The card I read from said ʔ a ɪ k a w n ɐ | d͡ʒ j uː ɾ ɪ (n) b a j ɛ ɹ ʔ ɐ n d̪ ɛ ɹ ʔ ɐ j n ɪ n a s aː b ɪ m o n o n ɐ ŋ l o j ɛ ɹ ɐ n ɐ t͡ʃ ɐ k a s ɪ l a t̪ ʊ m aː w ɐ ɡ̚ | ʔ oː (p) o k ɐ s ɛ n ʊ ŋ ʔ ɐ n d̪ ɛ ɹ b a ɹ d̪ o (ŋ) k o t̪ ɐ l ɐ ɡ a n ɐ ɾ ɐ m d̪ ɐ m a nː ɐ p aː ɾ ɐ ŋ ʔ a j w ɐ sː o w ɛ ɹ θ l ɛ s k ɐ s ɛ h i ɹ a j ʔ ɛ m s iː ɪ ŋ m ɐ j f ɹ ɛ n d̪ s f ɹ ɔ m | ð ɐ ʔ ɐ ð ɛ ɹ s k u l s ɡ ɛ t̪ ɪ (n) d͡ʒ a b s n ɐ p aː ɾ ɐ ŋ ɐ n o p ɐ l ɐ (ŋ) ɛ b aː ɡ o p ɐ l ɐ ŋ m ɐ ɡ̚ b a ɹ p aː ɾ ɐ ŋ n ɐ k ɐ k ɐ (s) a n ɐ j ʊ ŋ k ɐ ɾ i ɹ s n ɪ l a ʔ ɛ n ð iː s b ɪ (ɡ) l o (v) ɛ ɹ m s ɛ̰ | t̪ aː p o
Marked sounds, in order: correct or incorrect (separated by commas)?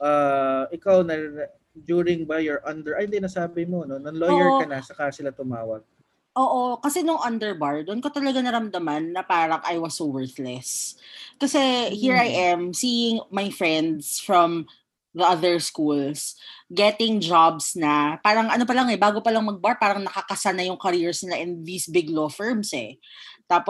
incorrect, incorrect, incorrect, incorrect, correct, correct, correct, incorrect